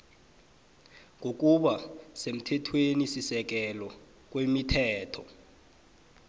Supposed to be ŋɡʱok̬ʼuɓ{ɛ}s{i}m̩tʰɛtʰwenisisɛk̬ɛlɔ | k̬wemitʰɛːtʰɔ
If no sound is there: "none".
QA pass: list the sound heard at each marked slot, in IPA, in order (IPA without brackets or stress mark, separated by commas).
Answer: a, e